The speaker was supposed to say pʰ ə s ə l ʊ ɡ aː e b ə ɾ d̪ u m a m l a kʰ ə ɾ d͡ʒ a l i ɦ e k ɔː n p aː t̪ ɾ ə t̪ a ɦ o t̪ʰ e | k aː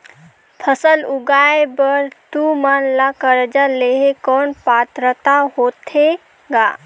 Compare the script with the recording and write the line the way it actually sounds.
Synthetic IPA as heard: pʰ ə s ə l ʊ ɡ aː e b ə ɾ t̪ u m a n l a k ə ɾ d͡ʒ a l e ɦ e k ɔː n p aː t̪ ɾ ə t̪ a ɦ o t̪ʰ e | ɡ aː